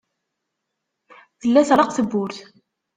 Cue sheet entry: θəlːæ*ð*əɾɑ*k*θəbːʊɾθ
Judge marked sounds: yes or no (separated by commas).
no, no